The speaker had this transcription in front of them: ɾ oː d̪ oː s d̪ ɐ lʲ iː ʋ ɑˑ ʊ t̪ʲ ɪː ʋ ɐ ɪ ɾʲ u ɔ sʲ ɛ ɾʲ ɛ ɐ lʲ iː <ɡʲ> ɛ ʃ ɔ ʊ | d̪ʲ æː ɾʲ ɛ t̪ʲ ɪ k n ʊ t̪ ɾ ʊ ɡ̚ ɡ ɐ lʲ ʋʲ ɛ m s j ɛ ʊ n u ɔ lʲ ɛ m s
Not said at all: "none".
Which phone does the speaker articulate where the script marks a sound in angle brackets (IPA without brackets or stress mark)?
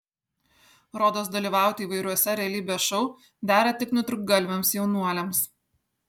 bʲ